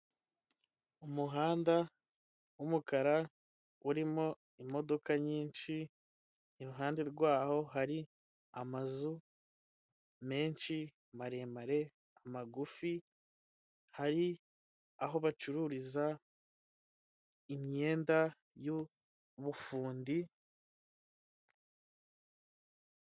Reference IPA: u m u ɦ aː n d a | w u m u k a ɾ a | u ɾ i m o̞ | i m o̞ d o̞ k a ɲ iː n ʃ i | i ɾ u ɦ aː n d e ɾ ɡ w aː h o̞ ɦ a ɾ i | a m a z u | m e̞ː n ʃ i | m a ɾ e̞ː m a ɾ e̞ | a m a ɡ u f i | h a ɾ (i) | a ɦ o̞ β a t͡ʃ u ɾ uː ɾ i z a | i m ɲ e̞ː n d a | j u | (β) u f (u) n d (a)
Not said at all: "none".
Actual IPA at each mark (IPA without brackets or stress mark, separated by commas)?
i, β, uː, i